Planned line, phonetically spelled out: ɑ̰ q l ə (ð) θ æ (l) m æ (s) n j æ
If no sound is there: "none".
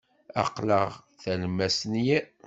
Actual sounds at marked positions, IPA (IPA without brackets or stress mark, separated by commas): ʁ, l, s